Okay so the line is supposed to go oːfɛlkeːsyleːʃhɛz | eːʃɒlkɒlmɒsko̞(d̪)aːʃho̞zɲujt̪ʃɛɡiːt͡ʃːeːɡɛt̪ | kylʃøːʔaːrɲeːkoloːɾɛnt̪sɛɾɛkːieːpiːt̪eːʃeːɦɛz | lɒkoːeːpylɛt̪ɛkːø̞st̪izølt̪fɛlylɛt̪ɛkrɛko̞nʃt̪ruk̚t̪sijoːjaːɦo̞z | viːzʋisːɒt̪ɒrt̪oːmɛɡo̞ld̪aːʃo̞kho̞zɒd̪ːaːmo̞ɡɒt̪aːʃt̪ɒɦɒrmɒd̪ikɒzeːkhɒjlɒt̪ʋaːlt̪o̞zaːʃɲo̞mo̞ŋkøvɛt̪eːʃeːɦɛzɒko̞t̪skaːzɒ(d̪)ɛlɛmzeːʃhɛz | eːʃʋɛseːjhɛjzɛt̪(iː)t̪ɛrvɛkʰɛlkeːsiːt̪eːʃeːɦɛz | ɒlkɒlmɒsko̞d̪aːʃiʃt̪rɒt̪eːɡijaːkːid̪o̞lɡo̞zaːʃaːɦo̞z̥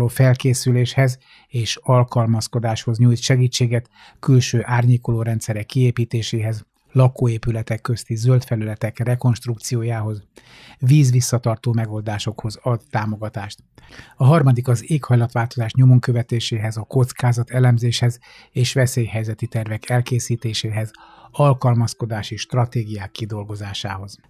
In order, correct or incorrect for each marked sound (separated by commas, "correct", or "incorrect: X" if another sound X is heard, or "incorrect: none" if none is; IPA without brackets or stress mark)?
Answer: correct, incorrect: t̪, incorrect: i